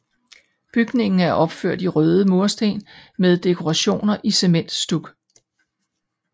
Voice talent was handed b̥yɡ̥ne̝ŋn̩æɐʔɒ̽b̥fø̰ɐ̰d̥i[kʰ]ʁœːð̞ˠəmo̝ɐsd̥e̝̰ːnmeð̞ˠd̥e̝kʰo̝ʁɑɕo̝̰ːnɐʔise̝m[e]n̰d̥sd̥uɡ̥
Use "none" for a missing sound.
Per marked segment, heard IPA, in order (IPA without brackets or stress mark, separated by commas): none, e